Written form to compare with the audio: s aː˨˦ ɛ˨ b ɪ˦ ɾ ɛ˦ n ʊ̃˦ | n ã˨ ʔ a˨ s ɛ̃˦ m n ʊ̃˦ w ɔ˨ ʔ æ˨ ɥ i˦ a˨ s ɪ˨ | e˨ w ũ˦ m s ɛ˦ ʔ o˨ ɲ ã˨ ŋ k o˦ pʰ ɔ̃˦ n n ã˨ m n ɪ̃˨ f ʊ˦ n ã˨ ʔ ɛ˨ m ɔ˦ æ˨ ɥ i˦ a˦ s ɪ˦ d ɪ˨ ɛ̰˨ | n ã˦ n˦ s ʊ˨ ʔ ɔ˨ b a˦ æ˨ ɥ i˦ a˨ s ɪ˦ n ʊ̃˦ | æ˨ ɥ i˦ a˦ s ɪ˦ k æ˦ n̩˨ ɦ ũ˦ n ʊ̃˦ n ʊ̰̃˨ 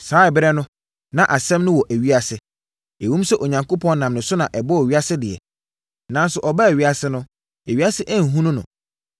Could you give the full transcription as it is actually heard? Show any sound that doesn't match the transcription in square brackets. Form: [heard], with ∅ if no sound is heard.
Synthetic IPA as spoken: s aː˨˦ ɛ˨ b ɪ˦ ɾ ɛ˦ n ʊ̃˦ | n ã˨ ʔ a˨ s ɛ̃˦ m n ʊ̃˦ w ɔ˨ ʔ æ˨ ɥ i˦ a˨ s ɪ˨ | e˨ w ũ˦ m s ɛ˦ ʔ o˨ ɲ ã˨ ŋ k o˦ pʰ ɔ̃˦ n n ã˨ m n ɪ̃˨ [s] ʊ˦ n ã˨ ʔ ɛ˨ [b] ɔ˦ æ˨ ɥ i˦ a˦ s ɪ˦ d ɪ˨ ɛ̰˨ | n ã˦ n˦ s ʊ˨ ʔ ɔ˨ b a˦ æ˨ ɥ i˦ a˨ s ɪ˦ n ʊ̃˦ | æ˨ ɥ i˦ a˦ s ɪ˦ [ʔ] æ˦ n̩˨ ɦ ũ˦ n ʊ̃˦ n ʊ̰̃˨